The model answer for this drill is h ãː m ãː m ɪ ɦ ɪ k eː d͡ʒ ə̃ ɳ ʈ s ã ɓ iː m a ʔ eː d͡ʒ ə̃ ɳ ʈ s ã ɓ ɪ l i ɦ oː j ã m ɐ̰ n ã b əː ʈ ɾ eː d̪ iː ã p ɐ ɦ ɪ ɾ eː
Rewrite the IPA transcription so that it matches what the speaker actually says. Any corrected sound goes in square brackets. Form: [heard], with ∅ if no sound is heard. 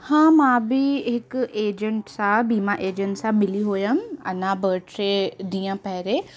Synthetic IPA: h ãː m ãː [b] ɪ ɦ ɪ k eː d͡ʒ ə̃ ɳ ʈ s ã [b] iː m a ʔ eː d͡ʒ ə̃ ɳ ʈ s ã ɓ ɪ l i ɦ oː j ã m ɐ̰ n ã b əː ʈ ɾ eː d̪ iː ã p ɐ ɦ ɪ ɾ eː